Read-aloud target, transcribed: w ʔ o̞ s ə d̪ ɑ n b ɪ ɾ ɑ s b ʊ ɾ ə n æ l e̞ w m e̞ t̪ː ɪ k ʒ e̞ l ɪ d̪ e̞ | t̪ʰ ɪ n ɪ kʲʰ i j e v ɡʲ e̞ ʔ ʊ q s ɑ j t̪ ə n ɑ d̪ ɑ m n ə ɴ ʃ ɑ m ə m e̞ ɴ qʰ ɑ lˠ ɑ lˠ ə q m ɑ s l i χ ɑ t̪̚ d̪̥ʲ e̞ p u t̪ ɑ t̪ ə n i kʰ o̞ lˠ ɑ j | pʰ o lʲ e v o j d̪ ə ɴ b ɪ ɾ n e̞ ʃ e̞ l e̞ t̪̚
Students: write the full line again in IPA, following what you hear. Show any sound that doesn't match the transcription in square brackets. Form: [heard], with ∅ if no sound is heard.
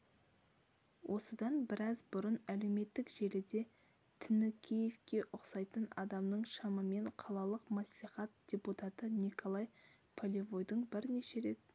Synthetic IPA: w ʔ o̞ s ə d̪ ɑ n b ɪ ɾ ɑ [z] b ʊ ɾ ə n æ l e̞ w m e̞ t̪ː ɪ k ʒ e̞ l ɪ d̪ e̞ | t̪ʰ ɪ n ɪ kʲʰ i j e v [kʲ] e̞ ʔ ʊ q s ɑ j t̪ ə n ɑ d̪ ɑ m n ə ɴ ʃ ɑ m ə m e̞ ɴ qʰ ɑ lˠ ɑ lˠ ə q m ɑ s l i χ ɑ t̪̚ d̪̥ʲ e̞ p u t̪ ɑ t̪ ə n i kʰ o̞ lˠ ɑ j | pʰ o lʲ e v o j d̪ ə ɴ b ɪ ɾ n e̞ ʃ e̞ [ɾ] e̞ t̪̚